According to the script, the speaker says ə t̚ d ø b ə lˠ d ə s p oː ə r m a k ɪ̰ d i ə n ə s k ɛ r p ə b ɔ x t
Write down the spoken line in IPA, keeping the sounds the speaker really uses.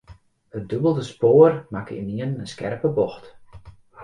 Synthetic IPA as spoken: ə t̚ d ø b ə lˠ d ə s p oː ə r m a k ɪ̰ n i ə n ə s k ɛ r p ə b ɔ x t